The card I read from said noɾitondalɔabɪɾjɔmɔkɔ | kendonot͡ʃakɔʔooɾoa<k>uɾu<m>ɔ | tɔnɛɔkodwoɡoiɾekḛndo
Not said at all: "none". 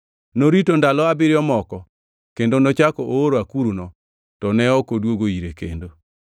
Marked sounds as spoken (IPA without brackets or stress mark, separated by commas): k, n